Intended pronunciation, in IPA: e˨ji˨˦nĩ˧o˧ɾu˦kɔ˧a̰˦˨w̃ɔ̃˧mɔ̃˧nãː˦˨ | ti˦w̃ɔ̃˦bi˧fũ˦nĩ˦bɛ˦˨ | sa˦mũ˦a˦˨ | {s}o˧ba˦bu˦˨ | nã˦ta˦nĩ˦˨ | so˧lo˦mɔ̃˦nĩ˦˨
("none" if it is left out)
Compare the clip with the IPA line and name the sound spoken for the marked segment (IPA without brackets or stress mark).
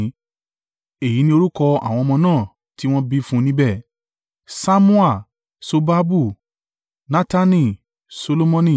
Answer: s